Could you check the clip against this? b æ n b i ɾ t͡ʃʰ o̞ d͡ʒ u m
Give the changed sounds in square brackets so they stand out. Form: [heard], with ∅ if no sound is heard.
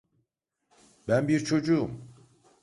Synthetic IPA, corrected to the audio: b æ n b i ɾ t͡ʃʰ o̞ d͡ʒ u m